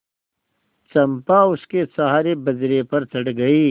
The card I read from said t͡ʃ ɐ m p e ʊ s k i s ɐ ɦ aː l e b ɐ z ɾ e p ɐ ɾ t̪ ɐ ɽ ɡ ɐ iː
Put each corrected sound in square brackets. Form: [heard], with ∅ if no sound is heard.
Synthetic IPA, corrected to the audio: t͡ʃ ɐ m p [a] ʊ s k [e] s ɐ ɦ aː [ɾ] e b ɐ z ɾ e p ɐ ɾ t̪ ɐ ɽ ɡ ɐ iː

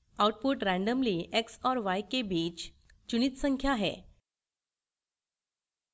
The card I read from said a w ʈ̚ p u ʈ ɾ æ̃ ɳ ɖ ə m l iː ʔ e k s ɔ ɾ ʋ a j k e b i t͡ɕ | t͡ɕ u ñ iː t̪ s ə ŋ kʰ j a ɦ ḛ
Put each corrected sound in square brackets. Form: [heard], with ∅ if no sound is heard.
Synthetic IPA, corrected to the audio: a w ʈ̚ p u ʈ ɾ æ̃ ɳ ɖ ə m l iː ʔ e k s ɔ ɾ ʋ a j k e b i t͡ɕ | t͡ɕ u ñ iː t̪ s ə ŋ kʰ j a ɦ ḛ

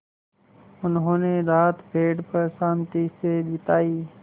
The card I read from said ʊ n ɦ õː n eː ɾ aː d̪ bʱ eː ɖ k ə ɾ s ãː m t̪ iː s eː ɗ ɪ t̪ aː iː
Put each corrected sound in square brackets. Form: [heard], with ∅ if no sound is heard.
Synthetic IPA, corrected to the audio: ʊ n ɦ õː n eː ɾ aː [t̪] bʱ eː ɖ [p] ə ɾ s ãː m t̪ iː s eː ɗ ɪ t̪ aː iː

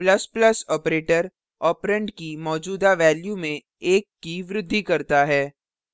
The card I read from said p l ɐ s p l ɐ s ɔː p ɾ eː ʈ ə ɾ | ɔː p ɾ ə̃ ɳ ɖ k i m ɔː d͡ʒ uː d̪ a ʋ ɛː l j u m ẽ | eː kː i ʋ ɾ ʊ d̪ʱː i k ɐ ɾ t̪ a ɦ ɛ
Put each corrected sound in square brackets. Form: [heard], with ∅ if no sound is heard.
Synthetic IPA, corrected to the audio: p l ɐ s p l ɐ s ɔː p ɾ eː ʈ ə ɾ | ɔː p ɾ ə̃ ɳ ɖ k i m ɔː d͡ʒ uː d̪ a ʋ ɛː l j u m ẽ | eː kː i ʋ ɾ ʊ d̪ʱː i k ɐ ɾ t̪ a ɦ [ɛː]

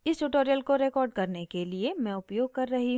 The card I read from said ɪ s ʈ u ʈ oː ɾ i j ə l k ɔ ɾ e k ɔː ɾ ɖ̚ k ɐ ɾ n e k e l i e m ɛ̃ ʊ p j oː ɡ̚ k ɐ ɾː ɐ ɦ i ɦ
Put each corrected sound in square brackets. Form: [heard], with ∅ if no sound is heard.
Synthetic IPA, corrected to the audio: ɪ s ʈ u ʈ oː ɾ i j ə l k [o] ɾ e k ɔː ɾ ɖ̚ k ɐ ɾ n e k e l i e m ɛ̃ ʊ p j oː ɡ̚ k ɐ ɾː ɐ ɦ i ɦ

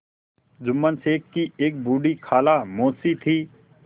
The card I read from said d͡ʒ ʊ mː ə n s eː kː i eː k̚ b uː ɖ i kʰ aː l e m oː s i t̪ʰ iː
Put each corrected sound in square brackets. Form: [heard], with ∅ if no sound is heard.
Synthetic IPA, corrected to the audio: d͡ʒ ʊ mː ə n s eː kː i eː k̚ b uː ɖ i kʰ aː l [a] m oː s i t̪ʰ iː

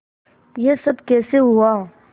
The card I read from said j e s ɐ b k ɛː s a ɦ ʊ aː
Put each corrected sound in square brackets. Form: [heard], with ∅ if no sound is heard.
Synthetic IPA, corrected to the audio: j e s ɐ b k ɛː s [e] ɦ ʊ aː

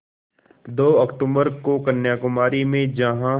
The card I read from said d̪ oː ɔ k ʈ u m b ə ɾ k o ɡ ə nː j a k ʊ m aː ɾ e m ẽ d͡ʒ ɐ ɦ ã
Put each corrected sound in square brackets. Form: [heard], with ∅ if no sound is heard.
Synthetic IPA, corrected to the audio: d̪ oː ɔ k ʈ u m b ə ɾ k o [k] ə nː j a k ʊ m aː ɾ [i] m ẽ d͡ʒ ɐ ɦ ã

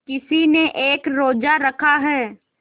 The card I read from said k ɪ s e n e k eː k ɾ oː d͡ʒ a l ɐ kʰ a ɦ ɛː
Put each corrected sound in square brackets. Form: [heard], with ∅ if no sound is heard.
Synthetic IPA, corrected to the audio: k ɪ s [i] n e [ʔ] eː k ɾ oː d͡ʒ a [ɾ] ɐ kʰ a ɦ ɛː

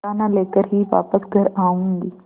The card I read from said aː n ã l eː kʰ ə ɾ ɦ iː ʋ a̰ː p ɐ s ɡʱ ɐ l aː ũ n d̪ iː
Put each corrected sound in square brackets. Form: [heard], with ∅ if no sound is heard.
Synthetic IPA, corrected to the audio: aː n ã l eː [k] ə ɾ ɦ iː ʋ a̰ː p [ə] s ɡʱ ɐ [ɾ] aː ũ n d̪ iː

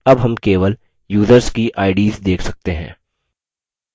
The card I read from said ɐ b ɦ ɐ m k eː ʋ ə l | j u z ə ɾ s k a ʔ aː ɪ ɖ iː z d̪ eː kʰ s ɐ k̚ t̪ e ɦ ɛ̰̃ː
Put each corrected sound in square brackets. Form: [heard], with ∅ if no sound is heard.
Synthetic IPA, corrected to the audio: ɐ b ɦ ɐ m k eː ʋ ə l | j [uː] z ə ɾ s k [i] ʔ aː ɪ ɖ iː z d̪ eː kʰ s ɐ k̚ t̪ e ɦ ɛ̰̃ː

